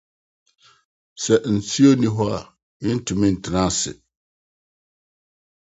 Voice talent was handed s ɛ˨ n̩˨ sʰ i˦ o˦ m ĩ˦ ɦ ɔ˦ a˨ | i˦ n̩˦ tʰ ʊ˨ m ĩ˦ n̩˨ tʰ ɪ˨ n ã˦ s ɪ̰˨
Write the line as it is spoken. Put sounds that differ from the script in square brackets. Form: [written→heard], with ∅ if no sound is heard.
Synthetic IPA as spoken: s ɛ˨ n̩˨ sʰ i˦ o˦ [m→n] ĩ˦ ɦ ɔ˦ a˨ | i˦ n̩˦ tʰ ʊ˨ m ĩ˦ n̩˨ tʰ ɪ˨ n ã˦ s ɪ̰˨

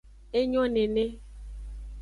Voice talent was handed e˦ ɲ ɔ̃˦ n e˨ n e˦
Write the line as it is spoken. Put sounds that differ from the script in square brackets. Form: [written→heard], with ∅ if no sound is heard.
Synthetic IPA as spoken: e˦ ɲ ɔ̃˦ n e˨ n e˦

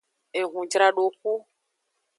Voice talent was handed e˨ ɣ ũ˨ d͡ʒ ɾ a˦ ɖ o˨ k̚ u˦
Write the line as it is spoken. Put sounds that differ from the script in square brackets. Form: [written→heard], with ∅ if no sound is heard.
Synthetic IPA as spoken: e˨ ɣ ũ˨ d͡ʒ ɾ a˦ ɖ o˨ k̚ u˦

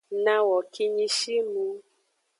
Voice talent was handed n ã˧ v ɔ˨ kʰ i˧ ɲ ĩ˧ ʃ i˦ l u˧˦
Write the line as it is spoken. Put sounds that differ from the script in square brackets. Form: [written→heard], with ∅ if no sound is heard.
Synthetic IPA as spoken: n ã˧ [v→w] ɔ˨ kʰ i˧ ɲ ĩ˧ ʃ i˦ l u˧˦

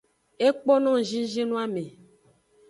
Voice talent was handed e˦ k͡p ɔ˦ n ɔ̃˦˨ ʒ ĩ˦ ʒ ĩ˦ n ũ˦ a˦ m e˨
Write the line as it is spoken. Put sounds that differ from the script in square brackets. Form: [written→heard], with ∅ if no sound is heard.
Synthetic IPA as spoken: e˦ k͡p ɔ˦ n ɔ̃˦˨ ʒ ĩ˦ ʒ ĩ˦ n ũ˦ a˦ m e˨

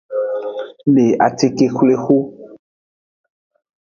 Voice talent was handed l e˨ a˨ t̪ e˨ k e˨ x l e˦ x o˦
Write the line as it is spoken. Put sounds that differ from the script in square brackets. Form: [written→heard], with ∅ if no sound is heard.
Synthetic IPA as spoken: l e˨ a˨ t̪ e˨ k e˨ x l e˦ x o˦

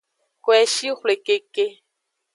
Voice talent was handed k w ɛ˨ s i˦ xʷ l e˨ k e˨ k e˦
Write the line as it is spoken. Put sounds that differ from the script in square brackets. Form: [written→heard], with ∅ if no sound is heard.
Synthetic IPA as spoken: k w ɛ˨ [s→ʃ] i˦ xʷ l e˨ k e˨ k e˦

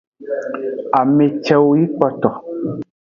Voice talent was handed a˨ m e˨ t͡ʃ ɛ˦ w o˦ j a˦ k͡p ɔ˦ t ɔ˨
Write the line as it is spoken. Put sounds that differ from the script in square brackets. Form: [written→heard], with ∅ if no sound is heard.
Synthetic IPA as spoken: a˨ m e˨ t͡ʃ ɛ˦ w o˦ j [a˦→i˦] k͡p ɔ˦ t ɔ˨

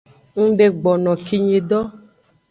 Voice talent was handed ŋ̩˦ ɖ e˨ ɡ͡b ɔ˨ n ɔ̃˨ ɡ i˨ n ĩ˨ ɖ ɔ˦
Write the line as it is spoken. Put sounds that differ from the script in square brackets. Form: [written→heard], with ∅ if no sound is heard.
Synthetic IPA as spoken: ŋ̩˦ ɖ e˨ ɡ͡b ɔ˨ n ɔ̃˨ [ɡ→k] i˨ [n→ɲ] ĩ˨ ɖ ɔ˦

